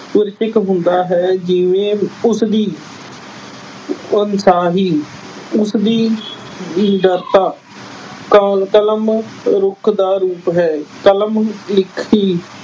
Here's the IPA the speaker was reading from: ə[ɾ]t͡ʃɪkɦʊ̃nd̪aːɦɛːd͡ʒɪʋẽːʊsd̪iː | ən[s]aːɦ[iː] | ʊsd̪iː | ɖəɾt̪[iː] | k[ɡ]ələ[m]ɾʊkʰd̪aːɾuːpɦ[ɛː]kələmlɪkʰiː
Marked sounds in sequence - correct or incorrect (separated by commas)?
correct, correct, correct, incorrect, incorrect, correct, correct